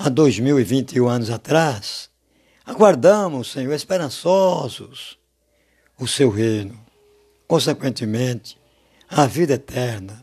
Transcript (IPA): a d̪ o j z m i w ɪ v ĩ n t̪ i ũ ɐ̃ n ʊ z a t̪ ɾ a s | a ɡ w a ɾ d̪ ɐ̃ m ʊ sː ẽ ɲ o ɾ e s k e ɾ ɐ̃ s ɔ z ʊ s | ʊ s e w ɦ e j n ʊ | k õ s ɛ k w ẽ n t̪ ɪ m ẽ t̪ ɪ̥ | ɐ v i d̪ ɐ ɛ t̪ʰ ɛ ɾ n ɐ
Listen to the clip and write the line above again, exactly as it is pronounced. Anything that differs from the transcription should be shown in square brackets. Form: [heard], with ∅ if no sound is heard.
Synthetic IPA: a d̪ o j z m i w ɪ v ĩ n t̪ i ũ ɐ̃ n ʊ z a t̪ ɾ a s | a ɡ w a ɾ d̪ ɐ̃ m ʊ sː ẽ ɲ o ɾ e s [p] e ɾ ɐ̃ s ɔ z ʊ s | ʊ s e w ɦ e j n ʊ | k õ s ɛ k w ẽ n t̪ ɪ m ẽ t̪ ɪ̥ | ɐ v i d̪ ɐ ɛ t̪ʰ ɛ ɾ n ɐ